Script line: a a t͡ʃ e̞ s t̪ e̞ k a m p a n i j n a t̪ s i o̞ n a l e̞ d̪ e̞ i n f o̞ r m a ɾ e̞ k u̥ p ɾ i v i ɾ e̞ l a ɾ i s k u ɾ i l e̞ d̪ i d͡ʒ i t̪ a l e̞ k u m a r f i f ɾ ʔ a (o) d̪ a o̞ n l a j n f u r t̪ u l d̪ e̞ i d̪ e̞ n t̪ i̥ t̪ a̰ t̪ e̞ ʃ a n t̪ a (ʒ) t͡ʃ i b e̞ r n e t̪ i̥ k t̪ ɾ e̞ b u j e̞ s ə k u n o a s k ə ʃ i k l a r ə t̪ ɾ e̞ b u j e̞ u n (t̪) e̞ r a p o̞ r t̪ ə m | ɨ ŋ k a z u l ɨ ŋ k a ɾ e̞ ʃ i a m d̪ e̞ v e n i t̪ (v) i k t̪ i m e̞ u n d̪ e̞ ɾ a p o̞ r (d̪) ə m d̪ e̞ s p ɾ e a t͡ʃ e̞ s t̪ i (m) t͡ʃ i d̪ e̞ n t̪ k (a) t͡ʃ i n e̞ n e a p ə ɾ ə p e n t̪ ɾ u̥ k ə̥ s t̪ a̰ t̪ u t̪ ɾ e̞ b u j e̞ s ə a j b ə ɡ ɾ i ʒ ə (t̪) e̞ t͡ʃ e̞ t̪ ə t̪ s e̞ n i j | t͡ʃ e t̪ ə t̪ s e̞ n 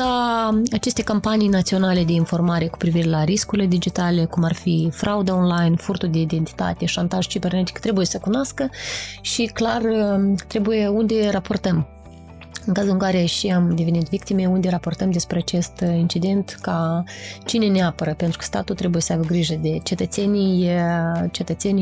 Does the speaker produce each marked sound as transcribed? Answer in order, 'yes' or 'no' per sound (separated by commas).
no, yes, no, yes, no, no, yes, no